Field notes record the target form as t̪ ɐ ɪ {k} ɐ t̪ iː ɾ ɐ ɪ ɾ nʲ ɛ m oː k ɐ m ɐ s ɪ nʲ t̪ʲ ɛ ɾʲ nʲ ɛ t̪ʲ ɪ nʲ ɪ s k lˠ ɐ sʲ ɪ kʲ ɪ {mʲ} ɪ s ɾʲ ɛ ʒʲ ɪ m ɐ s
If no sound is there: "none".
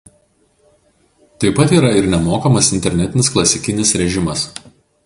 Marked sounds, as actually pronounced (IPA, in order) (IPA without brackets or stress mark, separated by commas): p, nʲ